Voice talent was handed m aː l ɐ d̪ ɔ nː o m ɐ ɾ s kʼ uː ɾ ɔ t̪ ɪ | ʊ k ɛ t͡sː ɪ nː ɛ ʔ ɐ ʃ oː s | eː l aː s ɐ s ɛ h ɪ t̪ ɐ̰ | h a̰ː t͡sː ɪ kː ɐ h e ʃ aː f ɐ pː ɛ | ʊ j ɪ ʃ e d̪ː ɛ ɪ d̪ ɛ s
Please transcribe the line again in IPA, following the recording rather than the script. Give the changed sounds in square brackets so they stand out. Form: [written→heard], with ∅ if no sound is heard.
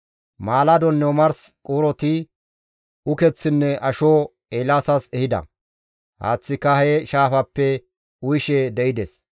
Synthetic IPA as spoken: m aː l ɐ d̪ ɔ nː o m ɐ ɾ s kʼ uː ɾ ɔ t̪ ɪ | ʊ k ɛ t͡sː ɪ nː ɛ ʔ ɐ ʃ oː [s→∅] | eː l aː s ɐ s ɛ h ɪ [t̪→d̪] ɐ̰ | h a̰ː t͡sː ɪ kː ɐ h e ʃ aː f ɐ pː ɛ | ʊ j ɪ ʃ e [d̪ː→d̪] ɛ ɪ d̪ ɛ s